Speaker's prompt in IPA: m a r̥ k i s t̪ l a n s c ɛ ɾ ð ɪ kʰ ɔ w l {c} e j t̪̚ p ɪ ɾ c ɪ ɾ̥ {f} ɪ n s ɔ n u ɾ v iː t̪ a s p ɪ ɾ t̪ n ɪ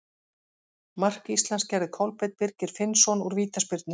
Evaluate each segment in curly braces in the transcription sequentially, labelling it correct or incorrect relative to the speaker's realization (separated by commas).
incorrect, correct